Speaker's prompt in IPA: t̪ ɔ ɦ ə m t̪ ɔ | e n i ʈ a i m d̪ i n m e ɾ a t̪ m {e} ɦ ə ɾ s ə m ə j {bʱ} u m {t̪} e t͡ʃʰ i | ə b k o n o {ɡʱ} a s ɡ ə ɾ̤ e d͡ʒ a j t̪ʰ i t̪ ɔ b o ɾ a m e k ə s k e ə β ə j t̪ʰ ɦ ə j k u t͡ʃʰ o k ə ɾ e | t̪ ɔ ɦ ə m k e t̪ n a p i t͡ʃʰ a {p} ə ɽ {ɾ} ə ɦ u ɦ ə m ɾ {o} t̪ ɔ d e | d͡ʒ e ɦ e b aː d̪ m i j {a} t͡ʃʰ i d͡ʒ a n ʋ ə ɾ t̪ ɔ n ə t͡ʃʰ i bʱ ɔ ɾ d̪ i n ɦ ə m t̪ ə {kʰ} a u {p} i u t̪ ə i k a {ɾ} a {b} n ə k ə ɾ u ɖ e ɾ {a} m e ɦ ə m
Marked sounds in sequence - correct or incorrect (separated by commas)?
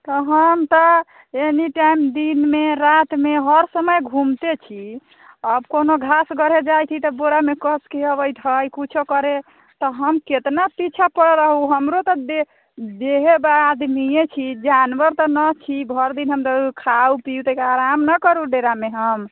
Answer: correct, incorrect, correct, correct, correct, correct, correct, incorrect, correct, correct, correct, incorrect, correct